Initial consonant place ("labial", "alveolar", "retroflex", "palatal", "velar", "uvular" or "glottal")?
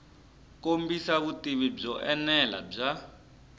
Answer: velar